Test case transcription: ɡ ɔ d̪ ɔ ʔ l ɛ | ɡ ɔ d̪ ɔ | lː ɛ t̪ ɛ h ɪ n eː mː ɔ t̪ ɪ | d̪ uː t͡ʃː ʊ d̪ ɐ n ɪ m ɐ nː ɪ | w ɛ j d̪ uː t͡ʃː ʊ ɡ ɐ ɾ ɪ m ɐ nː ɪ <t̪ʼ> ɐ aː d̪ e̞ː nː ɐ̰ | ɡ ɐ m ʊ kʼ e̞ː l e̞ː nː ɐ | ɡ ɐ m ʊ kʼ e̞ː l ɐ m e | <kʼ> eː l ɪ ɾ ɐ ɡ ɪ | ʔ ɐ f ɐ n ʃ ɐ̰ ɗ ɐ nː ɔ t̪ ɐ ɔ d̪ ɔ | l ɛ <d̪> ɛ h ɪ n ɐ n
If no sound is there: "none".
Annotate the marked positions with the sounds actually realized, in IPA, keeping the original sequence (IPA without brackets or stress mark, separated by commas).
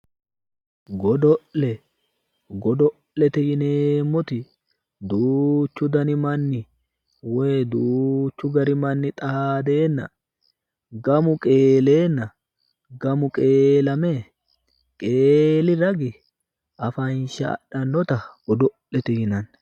t̪ʼ, kʼ, t̪